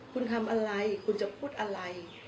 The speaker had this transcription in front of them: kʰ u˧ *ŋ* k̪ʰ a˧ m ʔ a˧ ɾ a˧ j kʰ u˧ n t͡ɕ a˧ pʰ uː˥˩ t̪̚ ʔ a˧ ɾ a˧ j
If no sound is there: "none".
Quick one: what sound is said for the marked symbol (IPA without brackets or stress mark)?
n